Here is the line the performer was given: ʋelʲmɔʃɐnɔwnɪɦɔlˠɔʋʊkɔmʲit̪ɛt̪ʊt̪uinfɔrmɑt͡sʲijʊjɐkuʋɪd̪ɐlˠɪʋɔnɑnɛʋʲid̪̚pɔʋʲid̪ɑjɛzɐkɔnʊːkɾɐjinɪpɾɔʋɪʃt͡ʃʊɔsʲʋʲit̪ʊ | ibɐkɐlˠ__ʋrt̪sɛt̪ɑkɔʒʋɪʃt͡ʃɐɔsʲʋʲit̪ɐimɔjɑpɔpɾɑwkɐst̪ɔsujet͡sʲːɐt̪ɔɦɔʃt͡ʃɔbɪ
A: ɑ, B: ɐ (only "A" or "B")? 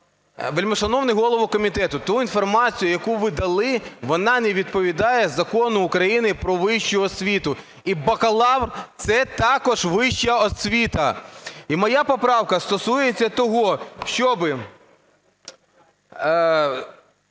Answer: A